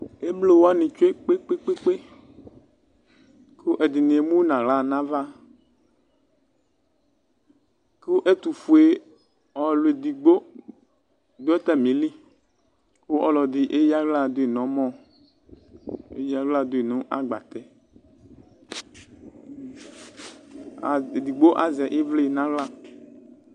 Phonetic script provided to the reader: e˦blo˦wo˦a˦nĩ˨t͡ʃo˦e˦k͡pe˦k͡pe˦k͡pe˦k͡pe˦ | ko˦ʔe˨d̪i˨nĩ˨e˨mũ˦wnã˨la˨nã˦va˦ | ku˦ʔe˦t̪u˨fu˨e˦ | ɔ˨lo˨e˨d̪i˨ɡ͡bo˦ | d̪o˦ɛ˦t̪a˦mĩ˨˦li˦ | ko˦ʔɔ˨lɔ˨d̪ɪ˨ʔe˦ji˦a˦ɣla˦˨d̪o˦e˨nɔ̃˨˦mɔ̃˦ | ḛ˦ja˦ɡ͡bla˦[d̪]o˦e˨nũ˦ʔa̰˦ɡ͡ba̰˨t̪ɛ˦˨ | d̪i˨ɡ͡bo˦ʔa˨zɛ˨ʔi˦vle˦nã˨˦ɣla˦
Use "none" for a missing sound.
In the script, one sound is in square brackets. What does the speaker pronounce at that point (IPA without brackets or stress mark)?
d̪